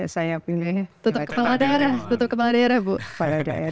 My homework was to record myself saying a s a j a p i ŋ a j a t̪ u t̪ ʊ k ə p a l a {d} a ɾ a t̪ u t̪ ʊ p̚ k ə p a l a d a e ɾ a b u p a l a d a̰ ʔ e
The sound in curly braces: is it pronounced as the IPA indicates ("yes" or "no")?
yes